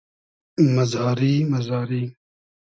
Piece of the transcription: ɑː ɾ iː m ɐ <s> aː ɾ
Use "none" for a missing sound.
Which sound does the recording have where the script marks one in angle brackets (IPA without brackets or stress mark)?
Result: z